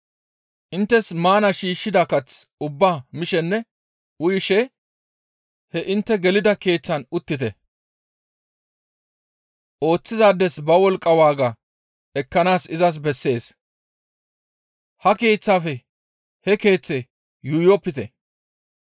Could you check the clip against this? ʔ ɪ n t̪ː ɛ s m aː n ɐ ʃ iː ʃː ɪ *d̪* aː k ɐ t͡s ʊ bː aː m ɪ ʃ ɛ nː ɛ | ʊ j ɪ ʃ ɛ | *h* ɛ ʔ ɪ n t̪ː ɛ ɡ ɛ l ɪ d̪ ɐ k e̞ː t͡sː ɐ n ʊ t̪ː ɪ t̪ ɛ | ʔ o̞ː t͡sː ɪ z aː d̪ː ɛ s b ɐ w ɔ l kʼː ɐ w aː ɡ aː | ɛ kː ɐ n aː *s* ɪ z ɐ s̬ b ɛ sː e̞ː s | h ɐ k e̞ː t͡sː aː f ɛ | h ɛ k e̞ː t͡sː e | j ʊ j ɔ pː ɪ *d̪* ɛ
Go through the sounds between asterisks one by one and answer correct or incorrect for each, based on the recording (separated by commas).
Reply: correct, correct, correct, incorrect